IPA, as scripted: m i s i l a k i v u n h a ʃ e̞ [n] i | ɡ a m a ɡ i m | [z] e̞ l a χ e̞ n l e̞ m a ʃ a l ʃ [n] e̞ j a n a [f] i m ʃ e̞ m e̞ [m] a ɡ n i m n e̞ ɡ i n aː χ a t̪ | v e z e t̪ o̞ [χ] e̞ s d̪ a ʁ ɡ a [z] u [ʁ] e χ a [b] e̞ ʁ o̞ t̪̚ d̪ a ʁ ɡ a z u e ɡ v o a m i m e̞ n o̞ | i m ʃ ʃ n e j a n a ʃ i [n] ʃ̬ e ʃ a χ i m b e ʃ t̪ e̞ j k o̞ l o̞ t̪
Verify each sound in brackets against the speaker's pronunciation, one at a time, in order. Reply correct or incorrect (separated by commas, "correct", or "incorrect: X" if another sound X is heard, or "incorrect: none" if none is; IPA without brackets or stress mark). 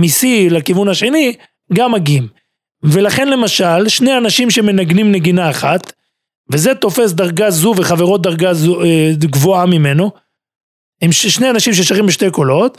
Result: correct, incorrect: v, correct, incorrect: ʃ, incorrect: n, incorrect: f, correct, incorrect: v, incorrect: v, incorrect: m